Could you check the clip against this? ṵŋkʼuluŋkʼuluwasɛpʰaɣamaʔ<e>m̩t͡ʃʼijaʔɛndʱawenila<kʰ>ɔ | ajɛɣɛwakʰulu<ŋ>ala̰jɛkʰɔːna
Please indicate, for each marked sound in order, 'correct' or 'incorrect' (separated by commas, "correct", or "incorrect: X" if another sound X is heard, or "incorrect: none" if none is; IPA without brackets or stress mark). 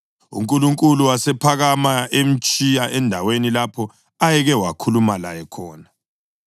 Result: correct, incorrect: pʰ, incorrect: m